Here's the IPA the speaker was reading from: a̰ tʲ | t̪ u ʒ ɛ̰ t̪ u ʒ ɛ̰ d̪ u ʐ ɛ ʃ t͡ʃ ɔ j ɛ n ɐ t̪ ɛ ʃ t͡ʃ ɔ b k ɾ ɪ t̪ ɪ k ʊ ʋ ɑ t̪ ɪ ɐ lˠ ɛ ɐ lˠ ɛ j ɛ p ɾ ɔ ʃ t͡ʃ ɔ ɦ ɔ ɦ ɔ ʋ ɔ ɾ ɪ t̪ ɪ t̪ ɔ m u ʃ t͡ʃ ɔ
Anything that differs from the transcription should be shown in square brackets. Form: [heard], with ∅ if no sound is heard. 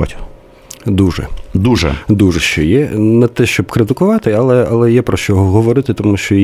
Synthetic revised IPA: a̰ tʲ | [d̪] u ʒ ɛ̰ [d̪] u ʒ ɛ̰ d̪ u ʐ ɛ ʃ t͡ʃ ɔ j ɛ n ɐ t̪ ɛ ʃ t͡ʃ ɔ b k ɾ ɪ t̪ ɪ k ʊ ʋ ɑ t̪ ɪ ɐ lˠ ɛ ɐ lˠ ɛ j ɛ p ɾ ɔ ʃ t͡ʃ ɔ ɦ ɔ ɦ ɔ ʋ ɔ ɾ ɪ t̪ ɪ t̪ ɔ m u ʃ t͡ʃ ɔ